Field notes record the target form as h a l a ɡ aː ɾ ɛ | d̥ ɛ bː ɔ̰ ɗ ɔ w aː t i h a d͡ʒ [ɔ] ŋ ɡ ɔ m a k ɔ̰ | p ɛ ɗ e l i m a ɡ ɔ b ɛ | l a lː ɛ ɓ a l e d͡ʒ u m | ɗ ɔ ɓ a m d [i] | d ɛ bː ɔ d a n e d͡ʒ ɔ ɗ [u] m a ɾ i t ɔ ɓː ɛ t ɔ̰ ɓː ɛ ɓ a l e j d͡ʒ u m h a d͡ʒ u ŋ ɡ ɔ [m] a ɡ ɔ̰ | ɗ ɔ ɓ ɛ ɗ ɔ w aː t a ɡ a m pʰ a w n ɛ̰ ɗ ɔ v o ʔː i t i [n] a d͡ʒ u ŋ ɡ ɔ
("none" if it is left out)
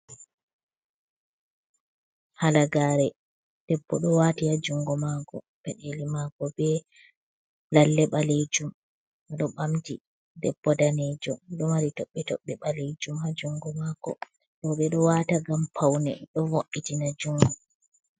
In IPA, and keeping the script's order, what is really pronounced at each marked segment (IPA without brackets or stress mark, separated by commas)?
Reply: u, i, ɔ, m, n